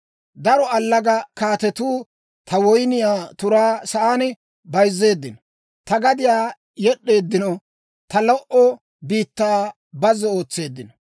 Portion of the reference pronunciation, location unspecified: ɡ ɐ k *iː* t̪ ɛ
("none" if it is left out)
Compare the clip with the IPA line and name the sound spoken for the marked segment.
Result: aː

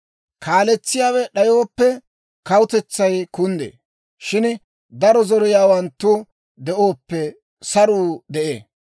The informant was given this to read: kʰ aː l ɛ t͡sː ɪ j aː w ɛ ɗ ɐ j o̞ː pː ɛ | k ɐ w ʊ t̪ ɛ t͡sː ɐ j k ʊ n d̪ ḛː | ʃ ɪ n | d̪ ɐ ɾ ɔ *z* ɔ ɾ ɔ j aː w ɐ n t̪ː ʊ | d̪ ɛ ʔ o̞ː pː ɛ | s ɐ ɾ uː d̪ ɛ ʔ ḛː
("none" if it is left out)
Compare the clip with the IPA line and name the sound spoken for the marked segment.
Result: z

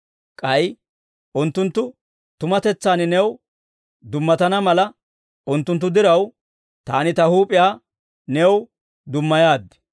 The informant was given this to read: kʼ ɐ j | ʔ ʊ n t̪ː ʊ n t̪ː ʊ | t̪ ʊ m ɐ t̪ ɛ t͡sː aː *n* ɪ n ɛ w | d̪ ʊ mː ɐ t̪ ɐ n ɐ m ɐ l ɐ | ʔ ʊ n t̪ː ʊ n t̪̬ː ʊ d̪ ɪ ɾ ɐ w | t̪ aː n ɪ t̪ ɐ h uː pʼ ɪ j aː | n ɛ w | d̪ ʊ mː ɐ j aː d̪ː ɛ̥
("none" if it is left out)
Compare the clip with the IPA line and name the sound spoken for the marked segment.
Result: n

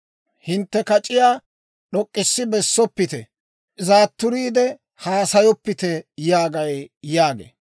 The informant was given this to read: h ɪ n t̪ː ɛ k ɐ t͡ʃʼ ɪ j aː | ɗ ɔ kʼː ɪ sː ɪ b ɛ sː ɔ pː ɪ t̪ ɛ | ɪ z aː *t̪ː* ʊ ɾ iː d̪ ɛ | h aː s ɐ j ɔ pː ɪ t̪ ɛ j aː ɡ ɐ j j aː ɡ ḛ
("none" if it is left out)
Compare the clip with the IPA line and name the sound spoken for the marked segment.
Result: t̪ː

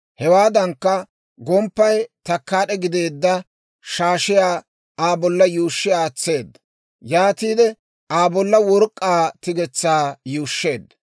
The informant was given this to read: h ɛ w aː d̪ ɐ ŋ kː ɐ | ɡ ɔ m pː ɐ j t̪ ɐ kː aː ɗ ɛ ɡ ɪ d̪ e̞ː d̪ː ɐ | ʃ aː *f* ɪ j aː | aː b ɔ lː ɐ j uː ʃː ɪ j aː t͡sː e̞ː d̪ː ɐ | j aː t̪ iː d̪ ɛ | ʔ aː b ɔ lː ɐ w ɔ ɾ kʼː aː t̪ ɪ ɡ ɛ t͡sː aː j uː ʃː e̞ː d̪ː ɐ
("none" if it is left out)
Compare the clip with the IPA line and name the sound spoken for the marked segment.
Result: ʃ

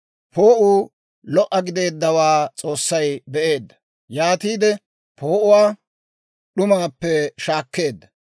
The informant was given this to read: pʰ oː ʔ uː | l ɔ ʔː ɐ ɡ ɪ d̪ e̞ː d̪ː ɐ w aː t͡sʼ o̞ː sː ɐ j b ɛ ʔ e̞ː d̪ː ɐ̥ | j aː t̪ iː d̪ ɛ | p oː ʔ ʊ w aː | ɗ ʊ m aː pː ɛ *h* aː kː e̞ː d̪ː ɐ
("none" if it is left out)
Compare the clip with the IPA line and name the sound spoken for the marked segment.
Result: ʃ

